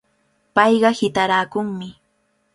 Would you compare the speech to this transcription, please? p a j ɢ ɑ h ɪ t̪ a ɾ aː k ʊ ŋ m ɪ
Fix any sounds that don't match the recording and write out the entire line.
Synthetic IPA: p ɑ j ɢ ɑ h ɪ t̪ a ɾ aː k ʊ ŋ m ɪ

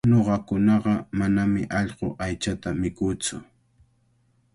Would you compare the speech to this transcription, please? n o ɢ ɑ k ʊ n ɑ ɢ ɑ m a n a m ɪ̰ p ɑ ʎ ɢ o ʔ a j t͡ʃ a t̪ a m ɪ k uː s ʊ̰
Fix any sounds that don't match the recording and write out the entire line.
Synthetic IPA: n o ɢ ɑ k ʊ n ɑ ɢ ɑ m a n a m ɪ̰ ʔ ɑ ʎ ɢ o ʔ a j t͡ʃ a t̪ a m ɪ k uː t͡s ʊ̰

